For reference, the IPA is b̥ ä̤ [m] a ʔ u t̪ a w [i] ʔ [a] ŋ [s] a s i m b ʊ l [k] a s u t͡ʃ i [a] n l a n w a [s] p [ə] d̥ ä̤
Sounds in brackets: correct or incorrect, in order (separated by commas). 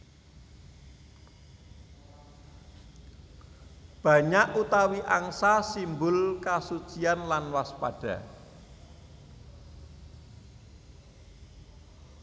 incorrect, correct, correct, correct, correct, correct, correct, incorrect